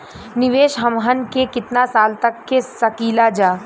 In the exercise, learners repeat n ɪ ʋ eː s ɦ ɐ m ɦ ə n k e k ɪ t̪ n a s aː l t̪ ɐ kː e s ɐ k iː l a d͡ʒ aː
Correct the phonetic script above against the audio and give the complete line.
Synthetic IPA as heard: n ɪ ʋ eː ʃ ɦ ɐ m ɦ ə n k e k ɪ t̪ n a s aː l t̪ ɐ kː e s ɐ k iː l a d͡ʒ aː

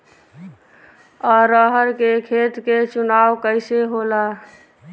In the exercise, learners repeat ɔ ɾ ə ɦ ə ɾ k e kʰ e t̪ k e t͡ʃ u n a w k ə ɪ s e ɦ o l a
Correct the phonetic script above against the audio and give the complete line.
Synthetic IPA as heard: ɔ ɾ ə ɦ ə ɾ k e kʰ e t̪ k e t͡ʃ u n a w k ə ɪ s e ɦ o l a

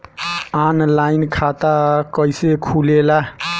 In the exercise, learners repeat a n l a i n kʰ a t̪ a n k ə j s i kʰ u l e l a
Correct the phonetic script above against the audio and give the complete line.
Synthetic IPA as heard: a n l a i n kʰ a t̪ a k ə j s e kʰ u l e l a

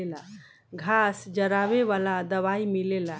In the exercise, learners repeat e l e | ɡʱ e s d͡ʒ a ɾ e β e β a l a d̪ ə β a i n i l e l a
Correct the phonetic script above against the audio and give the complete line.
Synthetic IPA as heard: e l a | ɡʱ a s d͡ʒ ə ɾ a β e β a l a d̪ ə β a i m i l e l a

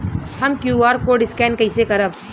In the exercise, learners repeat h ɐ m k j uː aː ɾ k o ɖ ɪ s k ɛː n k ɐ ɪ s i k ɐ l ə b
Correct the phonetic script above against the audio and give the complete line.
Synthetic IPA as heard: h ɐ m k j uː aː ɾ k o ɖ ɪ s k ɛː n k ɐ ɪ s e k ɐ ɾ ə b

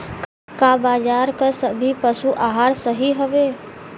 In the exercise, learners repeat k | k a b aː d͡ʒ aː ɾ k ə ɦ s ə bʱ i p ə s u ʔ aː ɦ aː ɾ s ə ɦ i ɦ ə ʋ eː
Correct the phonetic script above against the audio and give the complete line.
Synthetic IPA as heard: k | k a b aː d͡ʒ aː ɾ k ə s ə bʱ i p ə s u ʔ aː ɦ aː ɾ s ə ɦ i ɦ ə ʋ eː

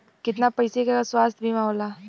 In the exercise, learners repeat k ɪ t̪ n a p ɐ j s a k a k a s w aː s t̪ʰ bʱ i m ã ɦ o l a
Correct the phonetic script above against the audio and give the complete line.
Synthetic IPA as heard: k ɪ t̪ n a p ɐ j s e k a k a s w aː s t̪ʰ bʱ i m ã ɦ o l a

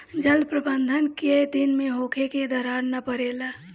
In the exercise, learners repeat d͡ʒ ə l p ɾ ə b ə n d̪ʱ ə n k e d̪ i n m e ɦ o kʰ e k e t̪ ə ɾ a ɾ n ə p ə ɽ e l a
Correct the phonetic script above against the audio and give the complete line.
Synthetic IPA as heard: d͡ʒ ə l p ɾ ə b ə n d̪ʱ ə n k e d̪ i n m e ɦ o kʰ e k e d̪ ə ɾ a ɾ n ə p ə ɾ e l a

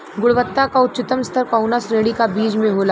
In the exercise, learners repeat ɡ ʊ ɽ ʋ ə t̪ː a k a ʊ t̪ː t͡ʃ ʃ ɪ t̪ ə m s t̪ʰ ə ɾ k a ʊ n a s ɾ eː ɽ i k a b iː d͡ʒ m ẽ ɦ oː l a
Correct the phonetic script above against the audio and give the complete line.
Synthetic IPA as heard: ɡ ʊ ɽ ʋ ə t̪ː a k a ʊ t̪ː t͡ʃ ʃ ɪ t̪ ə m s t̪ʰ ə ɾ k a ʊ n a s ɾ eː ɽ i k a b iː d͡ʒ m ẽ ɦ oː l a

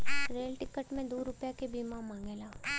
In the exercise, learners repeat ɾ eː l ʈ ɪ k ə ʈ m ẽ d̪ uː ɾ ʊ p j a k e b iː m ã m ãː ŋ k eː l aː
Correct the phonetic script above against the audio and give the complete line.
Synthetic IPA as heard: ɾ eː l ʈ ɪ k ə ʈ m ẽ d̪ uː ɾ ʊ p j a k e b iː m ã m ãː ŋ ɡ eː l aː

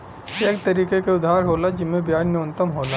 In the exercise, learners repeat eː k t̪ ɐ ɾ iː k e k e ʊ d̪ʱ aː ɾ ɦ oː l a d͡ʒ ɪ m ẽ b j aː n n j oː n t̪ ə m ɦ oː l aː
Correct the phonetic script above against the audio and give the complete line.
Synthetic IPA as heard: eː k t̪ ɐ ɾ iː k e k e ʊ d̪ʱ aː ɾ ɦ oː l a d͡ʒ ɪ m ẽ b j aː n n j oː n t̪ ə m ɦ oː l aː

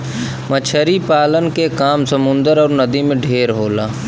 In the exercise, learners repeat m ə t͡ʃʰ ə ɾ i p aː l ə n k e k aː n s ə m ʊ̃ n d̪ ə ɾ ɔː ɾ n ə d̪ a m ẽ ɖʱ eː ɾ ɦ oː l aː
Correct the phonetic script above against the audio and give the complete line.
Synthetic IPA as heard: m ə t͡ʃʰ ə ɾ i p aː l ə n k e k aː m s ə m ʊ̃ n d̪ ə ɾ ɔː ɾ n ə d̪ i m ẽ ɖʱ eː ɾ ɦ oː l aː

